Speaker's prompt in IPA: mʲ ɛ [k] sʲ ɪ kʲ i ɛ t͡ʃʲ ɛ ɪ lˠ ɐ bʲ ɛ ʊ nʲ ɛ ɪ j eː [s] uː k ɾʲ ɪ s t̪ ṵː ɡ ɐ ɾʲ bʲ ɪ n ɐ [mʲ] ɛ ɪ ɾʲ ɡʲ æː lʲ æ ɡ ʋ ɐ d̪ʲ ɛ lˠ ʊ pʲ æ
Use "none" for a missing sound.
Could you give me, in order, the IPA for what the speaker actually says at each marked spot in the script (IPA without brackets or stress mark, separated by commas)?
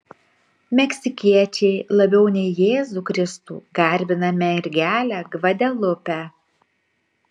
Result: k, z, mʲ